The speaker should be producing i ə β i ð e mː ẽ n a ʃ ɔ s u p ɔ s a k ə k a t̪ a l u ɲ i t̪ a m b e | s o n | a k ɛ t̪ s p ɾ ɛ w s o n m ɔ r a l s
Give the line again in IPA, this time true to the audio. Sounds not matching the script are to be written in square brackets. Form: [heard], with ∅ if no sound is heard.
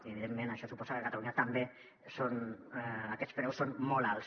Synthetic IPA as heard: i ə β i ð e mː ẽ n a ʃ ɔ s u p ɔ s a k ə k a t̪ a l u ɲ [a] t̪ a m b e | s o n | a k ɛ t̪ s p ɾ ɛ w s o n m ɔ [l] a l s